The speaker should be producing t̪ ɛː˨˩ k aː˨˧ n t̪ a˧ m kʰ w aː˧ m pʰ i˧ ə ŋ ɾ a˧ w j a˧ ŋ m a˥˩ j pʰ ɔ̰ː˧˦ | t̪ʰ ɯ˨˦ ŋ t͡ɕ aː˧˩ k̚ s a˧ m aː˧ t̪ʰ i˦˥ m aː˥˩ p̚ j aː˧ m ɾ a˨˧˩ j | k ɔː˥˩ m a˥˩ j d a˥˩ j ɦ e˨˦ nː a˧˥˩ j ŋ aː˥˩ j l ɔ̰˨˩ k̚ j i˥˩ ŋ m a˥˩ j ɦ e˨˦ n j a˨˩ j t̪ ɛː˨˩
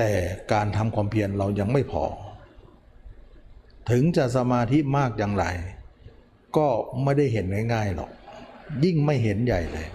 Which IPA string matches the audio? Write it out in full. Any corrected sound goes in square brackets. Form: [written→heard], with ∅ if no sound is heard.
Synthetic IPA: t̪ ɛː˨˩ k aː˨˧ n [t̪→t̪ʰ] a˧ m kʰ w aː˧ m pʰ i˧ ə [ŋ→n] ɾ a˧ w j a˧ ŋ m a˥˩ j pʰ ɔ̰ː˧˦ | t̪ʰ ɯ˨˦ ŋ t͡ɕ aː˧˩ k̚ s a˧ m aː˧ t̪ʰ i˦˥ m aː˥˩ [p̚→k̚] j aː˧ [m→ŋ] ɾ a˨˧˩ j | k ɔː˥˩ m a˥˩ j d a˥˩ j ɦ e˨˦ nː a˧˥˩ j ŋ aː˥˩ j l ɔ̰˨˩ k̚ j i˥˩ ŋ m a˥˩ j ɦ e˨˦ n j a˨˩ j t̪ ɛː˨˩